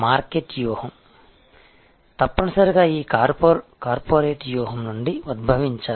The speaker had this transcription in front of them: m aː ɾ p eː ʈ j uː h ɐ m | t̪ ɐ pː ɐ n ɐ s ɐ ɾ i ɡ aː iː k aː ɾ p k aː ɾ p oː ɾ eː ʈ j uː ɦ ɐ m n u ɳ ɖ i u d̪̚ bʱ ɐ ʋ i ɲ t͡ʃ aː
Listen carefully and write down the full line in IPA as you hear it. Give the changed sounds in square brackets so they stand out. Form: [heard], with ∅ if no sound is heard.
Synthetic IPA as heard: m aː ɾ [k] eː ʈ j uː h ɐ m | t̪ ɐ pː ɐ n ɐ s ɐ ɾ i ɡ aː iː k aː ɾ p k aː ɾ p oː ɾ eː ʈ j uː ɦ ɐ m n u ɳ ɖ i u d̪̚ bʱ ɐ ʋ i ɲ t͡ʃ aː